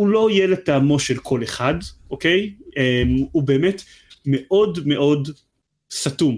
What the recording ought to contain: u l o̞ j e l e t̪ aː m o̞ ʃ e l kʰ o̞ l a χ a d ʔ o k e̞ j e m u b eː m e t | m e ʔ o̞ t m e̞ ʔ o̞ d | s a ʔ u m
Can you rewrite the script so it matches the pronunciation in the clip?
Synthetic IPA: u l o̞ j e l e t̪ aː m o̞ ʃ e l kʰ o̞ l e χ a d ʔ o k e̞ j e m u b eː m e t | m e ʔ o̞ d m e̞ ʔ o̞ d | s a t u m